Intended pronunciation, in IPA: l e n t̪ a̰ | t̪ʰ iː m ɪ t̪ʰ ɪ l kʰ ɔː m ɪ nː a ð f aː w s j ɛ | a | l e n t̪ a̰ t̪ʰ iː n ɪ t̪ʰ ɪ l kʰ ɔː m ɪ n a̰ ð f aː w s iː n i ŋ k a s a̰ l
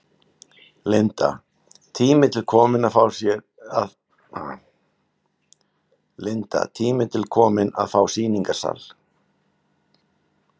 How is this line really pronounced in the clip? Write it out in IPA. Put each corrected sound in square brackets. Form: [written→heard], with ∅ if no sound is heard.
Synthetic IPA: l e n t̪ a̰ | t̪ʰ iː m ɪ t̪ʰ ɪ l kʰ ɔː m ɪ [nː→n] a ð f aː w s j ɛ | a | l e n t̪ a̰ t̪ʰ iː [n→m] ɪ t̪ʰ ɪ l kʰ ɔː m ɪ n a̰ ð f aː w s iː n i ŋ k a s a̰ l